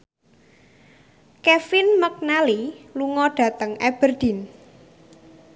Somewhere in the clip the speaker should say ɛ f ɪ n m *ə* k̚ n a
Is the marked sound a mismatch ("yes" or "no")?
no